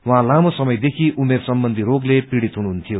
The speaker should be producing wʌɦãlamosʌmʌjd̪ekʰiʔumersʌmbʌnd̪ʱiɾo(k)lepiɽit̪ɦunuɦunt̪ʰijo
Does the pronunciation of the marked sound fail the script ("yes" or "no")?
yes